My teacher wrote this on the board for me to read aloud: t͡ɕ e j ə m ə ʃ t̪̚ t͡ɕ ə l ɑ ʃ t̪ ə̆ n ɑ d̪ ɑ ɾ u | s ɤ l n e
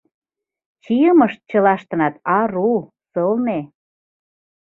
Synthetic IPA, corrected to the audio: t͡ɕ i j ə m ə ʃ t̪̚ t͡ɕ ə l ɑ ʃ t̪ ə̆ n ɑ t̪ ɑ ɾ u | s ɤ l n e